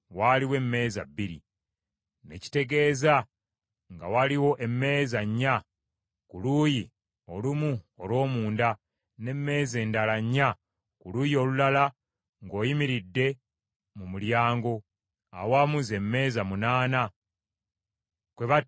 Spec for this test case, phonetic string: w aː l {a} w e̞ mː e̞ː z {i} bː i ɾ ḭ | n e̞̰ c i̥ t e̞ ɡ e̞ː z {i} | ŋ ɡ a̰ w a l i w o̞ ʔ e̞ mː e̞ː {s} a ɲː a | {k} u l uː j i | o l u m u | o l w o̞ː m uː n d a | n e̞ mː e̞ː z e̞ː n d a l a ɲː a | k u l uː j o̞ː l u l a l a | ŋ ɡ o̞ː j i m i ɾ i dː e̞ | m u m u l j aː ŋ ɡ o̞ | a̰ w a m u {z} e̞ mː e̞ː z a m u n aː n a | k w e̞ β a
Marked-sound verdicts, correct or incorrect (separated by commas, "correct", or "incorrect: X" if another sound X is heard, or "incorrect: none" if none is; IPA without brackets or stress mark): incorrect: i, incorrect: a, incorrect: a, incorrect: z, correct, correct